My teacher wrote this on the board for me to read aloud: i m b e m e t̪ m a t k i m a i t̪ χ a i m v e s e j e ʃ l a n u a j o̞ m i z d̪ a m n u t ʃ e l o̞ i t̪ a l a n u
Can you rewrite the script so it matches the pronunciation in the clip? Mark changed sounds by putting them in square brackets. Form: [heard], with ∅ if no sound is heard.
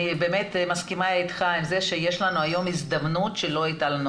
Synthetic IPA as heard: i [∅] b e m e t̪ m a [s] k i m a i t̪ χ a i m [z] e [ʃ] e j e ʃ l a n u a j o̞ m i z d̪ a m n u t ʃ e l o̞ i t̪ a l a n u